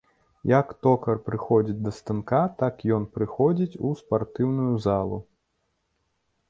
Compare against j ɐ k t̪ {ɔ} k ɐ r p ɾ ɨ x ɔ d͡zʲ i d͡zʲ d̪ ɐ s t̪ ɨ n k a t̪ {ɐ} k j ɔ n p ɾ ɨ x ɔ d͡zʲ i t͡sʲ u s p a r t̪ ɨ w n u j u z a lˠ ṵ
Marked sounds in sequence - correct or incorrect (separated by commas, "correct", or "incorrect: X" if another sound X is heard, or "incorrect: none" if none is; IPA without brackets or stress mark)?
correct, incorrect: a